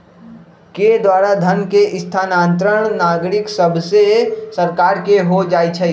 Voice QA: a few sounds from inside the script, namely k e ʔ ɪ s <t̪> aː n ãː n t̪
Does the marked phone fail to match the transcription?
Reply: yes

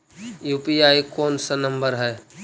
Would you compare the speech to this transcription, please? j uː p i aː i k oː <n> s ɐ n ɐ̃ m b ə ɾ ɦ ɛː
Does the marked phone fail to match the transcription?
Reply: no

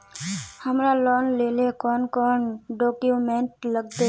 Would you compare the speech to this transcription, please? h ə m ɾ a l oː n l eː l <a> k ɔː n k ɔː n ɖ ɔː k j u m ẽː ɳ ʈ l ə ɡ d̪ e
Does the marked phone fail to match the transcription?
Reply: yes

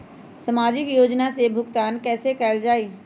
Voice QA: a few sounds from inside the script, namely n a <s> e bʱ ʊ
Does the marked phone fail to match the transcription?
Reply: no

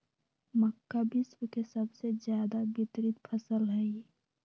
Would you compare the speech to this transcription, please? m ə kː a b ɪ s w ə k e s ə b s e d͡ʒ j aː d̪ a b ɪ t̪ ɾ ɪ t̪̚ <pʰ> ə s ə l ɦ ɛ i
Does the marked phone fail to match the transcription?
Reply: no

